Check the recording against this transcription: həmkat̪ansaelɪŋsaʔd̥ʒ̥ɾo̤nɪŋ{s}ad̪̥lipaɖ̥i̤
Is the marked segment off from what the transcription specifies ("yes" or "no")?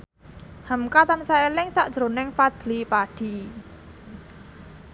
yes